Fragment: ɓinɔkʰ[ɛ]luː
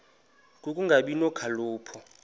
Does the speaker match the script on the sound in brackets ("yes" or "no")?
no